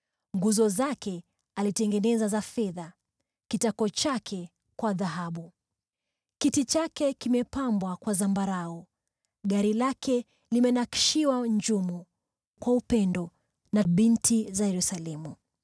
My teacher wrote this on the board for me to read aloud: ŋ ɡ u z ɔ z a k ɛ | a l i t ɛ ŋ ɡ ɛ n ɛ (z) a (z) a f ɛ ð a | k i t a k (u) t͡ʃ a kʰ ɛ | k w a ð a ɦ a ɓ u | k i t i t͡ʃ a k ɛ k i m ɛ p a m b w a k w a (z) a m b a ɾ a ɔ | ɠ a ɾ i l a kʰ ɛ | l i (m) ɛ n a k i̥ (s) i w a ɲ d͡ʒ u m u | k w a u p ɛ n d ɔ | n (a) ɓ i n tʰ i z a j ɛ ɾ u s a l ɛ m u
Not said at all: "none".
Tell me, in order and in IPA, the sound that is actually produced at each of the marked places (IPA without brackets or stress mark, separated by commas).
z, z, ɔ, z, m, ʃ, a